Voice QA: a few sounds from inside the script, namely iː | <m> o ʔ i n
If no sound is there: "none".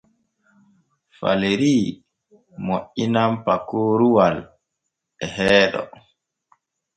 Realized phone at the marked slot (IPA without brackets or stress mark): m